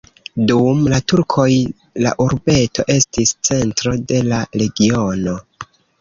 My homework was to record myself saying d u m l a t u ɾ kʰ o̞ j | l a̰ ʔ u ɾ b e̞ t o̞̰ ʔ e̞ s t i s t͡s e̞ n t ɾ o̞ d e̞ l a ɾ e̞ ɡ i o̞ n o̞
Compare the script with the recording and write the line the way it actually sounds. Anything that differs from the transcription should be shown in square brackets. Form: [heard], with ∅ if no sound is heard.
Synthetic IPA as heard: d u m l a t u ɾ kʰ o̞ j | l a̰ ʔ u ɾ b e̞ t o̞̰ ʔ e̞ s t i s t͡s e̞ n t ɾ o̞ d e̞ l a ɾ e̞ ɡ i o̞ n o̞